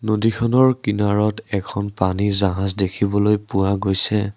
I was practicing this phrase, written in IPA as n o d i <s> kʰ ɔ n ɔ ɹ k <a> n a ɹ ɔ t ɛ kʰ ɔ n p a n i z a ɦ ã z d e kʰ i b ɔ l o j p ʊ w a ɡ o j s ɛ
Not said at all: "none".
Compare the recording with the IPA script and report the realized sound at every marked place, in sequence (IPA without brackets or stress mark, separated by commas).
none, i